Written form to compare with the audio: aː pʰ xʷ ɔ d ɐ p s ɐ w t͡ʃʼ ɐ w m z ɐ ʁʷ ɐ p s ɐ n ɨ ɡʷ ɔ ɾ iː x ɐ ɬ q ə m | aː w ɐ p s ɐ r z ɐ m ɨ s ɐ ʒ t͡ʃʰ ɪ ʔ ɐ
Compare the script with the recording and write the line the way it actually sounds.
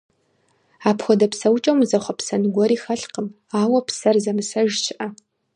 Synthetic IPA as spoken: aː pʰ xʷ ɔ d ɐ p s ɐ w t͡ʃʼ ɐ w m z ɐ χʷ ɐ p s ɐ n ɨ ɡʷ ɔ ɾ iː x ɐ ɬ q ə m | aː w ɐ p s ɐ r z ɐ m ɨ s ɐ ʒ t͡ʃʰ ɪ ʔ ɐ